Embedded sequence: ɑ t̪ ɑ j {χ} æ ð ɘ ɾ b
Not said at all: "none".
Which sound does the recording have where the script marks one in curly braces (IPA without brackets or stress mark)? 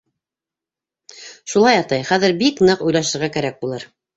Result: χ